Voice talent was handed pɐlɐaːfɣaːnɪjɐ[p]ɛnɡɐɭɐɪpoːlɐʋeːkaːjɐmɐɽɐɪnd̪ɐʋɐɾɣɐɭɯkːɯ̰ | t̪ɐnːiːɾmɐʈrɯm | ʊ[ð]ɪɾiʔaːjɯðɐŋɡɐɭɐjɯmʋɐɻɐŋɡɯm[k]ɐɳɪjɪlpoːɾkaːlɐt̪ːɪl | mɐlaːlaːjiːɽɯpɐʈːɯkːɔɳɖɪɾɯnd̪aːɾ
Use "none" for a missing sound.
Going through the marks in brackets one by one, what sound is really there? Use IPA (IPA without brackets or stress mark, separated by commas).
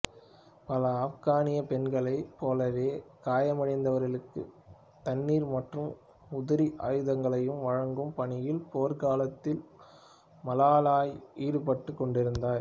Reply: p, ð, p